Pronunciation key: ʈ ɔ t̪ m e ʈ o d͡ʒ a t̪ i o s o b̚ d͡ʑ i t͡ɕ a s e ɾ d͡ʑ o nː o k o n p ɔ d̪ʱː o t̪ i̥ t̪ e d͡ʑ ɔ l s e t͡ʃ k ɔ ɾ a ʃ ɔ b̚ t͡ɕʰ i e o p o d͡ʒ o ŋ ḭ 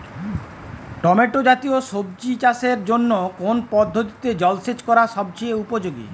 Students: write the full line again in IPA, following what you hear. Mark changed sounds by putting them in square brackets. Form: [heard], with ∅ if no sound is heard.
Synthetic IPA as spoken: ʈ ɔ [∅] m e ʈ o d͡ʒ a t̪ i o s o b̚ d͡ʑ i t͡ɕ a s e ɾ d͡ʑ o nː o k o n p ɔ d̪ʱː o t̪ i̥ t̪ e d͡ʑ ɔ l s e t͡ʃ k ɔ ɾ a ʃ ɔ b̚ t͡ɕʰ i e [u] p o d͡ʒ o [ɡ] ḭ